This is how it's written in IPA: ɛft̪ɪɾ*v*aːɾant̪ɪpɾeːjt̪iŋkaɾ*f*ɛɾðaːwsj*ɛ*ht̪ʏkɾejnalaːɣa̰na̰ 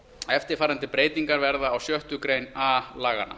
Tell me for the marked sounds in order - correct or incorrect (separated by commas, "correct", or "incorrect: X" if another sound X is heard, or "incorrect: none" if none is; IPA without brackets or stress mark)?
incorrect: f, incorrect: v, incorrect: œ